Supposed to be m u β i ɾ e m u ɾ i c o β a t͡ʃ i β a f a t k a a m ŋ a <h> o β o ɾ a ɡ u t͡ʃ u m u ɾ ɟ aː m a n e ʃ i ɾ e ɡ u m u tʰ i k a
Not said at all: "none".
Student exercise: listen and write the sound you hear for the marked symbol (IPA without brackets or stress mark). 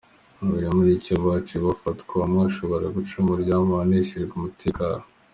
ʃ